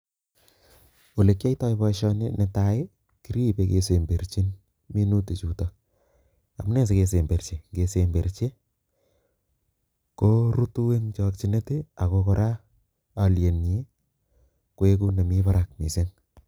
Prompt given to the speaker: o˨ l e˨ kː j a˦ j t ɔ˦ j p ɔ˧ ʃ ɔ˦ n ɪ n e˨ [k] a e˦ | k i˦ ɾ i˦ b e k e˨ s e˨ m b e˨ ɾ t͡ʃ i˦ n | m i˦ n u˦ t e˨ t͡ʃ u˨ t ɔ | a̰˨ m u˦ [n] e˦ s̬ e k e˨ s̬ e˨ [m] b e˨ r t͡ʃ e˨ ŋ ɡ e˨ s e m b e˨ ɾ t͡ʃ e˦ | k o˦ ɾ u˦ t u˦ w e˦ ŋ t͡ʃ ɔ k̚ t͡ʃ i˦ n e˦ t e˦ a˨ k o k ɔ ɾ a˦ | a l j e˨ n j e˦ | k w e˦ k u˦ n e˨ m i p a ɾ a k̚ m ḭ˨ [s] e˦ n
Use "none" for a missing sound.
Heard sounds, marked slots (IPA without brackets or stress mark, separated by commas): t, n, m, s